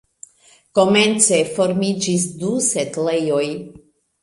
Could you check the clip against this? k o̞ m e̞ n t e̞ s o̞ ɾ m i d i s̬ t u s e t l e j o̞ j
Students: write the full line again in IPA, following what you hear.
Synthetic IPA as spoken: k o̞ m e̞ n t͡s e̞ f o̞ ɾ m i d͡ʒ i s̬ d u s e t l e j o̞ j